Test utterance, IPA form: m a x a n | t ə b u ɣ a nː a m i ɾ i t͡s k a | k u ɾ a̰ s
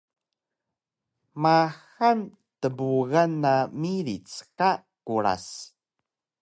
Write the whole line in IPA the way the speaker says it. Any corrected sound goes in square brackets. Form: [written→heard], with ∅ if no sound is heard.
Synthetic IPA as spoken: m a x a n | t ə b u ɣ a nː a m i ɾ i t͡s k a | k u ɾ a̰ s